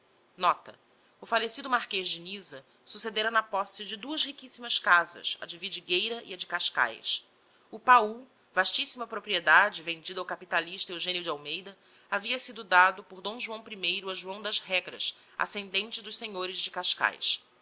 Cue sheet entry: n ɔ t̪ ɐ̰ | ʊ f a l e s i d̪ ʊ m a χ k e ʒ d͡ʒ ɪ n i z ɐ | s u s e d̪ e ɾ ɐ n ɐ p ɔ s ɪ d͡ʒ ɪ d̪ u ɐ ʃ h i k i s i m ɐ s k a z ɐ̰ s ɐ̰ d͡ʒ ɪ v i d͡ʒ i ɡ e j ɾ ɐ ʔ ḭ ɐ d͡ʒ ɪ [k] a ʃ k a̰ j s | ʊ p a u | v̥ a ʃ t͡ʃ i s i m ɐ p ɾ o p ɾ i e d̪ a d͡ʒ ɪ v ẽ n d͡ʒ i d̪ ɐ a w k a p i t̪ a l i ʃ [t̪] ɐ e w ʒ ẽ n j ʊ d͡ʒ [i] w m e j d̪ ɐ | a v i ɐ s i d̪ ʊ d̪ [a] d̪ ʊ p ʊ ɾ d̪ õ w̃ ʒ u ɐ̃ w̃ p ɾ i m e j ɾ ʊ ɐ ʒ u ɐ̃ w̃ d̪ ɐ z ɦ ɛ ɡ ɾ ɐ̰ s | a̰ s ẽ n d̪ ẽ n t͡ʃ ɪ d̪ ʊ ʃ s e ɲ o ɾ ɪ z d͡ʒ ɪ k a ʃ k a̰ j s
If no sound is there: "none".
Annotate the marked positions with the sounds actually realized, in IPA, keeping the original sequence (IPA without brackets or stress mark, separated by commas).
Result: k, t̪, a, a